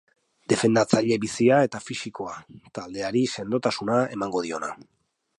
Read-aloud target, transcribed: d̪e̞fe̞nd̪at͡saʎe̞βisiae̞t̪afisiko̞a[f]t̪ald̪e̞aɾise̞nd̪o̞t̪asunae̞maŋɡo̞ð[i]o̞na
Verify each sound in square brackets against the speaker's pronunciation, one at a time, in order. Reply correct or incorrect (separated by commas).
incorrect, correct